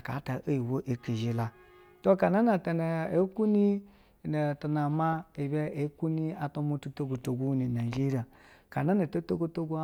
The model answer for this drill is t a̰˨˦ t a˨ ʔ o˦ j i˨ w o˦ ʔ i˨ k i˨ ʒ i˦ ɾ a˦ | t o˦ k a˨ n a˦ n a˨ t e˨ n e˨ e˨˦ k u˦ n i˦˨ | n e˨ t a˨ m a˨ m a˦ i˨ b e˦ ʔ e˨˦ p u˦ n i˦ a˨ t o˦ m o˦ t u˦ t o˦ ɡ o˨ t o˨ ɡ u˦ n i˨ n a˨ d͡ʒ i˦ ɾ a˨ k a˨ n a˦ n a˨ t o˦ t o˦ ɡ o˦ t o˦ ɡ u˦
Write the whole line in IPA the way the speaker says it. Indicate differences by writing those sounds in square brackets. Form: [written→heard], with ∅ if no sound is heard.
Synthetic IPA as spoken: [t→k] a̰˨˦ t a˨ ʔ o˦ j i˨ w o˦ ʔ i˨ k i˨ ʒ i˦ [ɾ→l] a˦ | t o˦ k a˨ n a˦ n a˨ t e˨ n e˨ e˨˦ k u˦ n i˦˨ | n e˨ t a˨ [m→n] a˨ m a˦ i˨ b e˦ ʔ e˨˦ [p→k] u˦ n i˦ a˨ t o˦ m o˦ t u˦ t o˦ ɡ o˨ t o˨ ɡ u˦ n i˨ n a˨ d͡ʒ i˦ ɾ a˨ k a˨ n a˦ n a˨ t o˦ t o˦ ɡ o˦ t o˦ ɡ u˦